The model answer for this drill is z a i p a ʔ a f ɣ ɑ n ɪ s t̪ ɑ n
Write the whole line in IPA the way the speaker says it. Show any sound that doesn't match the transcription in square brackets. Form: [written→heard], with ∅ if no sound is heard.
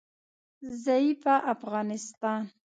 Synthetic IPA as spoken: z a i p a ʔ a f ɣ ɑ n ɪ s t̪ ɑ n